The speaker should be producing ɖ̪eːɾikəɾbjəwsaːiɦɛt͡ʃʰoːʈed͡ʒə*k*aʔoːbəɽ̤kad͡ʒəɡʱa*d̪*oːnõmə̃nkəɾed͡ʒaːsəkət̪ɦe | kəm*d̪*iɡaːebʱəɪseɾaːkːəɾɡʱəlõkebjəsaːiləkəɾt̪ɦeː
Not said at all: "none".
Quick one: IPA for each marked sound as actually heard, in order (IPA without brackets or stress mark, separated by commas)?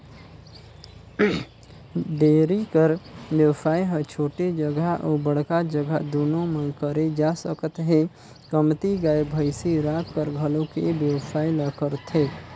ɡ, d̪, t̪